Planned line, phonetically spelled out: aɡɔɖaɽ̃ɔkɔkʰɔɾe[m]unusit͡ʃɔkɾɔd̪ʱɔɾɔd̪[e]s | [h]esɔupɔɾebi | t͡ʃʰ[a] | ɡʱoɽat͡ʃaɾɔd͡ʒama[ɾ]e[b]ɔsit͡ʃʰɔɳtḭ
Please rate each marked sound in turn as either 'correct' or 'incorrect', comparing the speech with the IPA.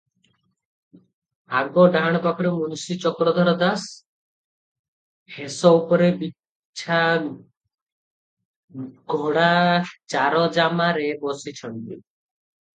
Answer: correct, incorrect, correct, correct, correct, correct

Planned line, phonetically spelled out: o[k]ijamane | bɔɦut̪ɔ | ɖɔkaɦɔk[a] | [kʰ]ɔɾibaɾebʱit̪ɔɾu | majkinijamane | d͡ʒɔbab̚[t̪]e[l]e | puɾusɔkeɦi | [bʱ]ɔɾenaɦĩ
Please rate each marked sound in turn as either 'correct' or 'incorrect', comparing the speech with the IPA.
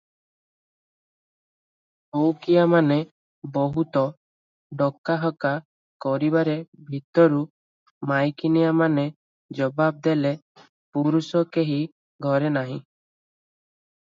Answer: correct, correct, incorrect, incorrect, correct, incorrect

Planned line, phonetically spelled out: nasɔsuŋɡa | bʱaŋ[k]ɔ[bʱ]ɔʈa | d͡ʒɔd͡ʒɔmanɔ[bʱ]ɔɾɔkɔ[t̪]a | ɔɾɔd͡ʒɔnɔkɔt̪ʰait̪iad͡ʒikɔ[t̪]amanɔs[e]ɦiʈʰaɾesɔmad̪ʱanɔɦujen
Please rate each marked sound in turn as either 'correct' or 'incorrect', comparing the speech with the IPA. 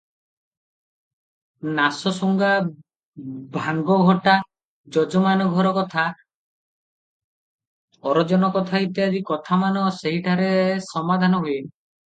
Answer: incorrect, incorrect, incorrect, incorrect, incorrect, correct

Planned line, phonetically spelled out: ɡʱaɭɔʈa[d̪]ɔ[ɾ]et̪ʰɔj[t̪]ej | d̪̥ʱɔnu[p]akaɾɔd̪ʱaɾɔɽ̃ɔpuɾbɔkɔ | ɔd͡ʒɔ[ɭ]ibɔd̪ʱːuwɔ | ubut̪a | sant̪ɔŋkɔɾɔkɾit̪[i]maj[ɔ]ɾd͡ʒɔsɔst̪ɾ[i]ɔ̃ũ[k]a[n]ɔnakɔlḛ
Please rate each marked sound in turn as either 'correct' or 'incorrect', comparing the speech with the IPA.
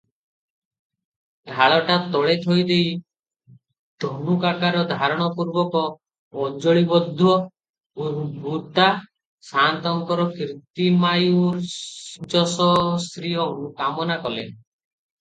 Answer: incorrect, incorrect, incorrect, incorrect, correct, correct, incorrect, correct, correct, incorrect

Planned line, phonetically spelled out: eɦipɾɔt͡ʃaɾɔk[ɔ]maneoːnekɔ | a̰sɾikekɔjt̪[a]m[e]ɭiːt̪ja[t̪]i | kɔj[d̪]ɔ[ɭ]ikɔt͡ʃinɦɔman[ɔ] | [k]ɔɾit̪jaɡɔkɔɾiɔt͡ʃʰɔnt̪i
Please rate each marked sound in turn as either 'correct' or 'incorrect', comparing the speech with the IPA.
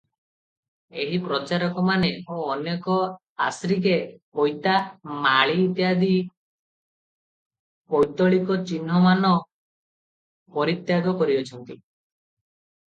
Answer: correct, correct, incorrect, incorrect, incorrect, correct, correct, incorrect

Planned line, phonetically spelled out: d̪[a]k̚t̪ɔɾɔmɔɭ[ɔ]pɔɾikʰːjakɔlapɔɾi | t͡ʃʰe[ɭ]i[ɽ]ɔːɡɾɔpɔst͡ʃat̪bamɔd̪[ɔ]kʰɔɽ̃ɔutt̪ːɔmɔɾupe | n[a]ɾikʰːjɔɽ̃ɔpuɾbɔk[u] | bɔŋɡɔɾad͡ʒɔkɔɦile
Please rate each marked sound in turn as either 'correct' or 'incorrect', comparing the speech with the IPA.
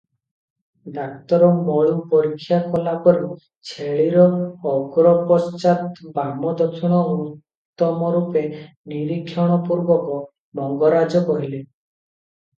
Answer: correct, incorrect, correct, incorrect, correct, incorrect, incorrect

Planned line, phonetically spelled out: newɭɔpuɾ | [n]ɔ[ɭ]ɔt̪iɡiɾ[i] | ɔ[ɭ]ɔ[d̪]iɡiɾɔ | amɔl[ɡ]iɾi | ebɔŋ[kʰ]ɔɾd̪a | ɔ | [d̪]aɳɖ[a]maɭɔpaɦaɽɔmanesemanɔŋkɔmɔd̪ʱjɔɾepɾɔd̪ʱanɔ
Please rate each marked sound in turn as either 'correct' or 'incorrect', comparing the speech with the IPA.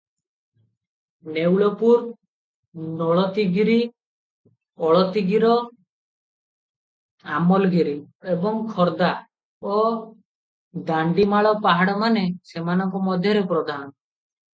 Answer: correct, correct, correct, correct, incorrect, correct, correct, correct, incorrect

